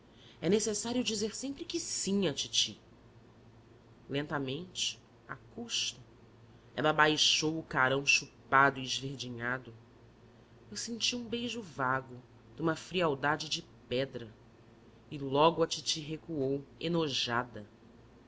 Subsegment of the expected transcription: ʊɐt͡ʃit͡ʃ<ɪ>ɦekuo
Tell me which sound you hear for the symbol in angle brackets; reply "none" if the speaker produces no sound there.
i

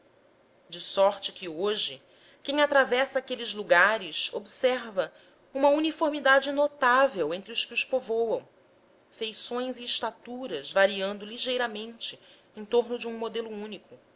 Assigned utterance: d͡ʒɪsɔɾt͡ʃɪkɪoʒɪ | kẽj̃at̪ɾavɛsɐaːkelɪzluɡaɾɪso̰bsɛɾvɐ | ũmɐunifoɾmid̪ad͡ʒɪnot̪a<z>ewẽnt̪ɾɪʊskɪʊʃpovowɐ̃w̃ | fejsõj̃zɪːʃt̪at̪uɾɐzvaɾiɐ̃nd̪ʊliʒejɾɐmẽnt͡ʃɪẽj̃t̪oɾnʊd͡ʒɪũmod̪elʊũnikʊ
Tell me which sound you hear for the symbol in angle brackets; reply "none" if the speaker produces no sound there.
v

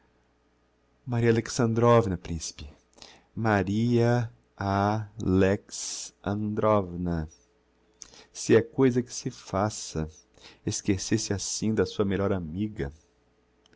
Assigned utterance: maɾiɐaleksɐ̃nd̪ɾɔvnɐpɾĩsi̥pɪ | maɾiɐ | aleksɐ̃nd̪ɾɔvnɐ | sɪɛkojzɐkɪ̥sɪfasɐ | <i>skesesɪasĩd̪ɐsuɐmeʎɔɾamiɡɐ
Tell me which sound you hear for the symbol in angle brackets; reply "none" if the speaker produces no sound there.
e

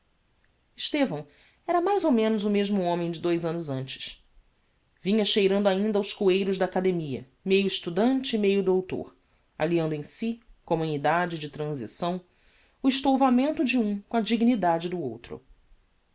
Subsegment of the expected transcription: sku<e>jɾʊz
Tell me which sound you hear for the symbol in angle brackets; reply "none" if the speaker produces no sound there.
e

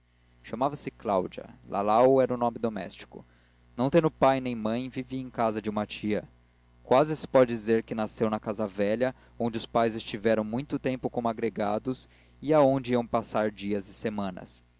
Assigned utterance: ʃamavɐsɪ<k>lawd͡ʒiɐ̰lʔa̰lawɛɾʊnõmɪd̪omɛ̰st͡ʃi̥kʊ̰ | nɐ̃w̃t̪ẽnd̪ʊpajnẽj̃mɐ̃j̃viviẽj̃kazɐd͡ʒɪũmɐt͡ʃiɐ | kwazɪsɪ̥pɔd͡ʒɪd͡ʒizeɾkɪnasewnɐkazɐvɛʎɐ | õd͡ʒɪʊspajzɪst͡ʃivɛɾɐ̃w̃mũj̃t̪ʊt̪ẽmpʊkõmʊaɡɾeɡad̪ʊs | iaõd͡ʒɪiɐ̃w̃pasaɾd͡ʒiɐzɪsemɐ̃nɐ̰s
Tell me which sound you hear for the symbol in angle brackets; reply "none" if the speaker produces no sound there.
k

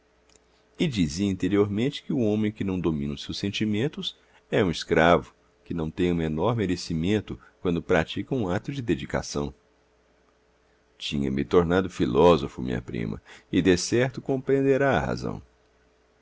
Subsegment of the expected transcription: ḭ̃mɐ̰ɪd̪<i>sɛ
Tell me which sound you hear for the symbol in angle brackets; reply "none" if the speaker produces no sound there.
e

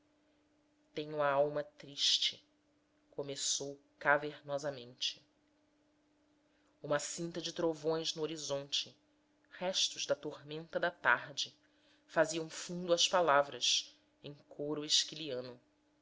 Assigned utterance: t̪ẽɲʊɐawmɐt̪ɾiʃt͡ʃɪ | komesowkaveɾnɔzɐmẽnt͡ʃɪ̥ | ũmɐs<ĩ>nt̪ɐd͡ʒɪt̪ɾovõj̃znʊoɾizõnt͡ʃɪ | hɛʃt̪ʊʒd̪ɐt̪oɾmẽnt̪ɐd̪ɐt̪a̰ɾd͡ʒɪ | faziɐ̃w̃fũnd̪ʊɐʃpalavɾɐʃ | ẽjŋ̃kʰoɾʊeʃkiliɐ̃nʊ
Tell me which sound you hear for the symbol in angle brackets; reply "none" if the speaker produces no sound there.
ĩ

